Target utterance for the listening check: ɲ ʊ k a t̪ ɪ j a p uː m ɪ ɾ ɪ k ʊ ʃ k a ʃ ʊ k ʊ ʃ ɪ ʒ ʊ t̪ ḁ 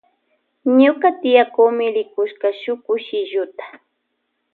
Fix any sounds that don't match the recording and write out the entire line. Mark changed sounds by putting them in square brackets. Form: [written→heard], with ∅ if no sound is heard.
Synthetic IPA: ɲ ʊ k a t̪ ɪ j a [p→k] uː m ɪ ɾ ɪ k ʊ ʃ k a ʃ ʊ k ʊ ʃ ɪ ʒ ʊ t̪ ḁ